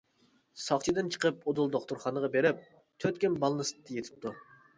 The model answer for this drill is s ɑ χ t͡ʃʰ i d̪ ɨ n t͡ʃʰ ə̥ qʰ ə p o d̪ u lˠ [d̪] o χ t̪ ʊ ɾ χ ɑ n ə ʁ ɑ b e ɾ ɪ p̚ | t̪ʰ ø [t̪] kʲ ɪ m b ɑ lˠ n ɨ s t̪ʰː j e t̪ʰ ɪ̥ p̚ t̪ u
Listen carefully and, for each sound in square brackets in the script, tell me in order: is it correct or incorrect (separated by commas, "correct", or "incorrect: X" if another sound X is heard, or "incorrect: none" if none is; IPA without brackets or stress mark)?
correct, correct